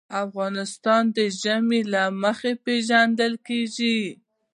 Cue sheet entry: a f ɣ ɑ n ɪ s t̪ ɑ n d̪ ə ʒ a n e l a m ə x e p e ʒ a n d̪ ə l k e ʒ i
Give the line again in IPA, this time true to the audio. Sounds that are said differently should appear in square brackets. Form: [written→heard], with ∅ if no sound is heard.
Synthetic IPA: a f ɣ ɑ n ɪ s t̪ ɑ n d̪ ə ʒ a [n→m] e l a m ə x e p e ʒ a n d̪ ə l k e ʒ i